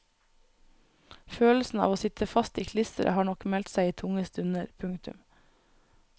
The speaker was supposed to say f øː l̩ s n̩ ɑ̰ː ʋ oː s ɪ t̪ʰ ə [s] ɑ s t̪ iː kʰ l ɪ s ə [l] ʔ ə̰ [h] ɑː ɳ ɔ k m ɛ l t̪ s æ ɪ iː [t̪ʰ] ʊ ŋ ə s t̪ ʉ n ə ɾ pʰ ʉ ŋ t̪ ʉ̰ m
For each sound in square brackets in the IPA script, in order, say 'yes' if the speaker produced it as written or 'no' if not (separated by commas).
no, no, yes, yes